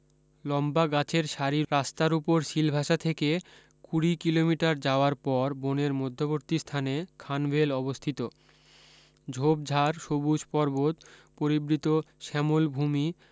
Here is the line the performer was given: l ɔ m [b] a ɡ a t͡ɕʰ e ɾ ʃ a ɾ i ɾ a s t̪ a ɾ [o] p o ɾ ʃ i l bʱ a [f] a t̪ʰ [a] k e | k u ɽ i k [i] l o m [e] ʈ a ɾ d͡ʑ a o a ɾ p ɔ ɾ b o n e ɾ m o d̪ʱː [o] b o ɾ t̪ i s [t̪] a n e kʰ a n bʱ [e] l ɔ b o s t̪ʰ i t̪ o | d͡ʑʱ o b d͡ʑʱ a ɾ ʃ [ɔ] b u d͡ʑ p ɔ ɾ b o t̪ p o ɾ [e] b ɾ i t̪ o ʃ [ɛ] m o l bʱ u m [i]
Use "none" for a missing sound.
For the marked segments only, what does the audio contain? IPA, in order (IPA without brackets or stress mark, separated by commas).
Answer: b, u, ʃ, e, i, i, o, t̪ʰ, e, o, i, ɛ, i